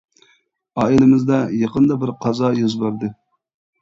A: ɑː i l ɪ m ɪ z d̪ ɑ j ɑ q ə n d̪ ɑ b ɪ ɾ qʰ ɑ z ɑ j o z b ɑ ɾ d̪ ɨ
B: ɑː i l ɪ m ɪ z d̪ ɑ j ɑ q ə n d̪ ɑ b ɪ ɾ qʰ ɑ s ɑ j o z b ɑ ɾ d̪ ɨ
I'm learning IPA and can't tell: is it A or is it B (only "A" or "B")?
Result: A